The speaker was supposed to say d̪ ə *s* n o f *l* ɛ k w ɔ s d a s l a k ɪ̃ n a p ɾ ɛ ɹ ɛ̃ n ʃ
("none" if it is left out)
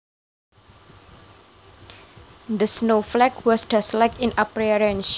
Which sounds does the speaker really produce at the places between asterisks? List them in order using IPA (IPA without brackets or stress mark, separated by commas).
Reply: s, l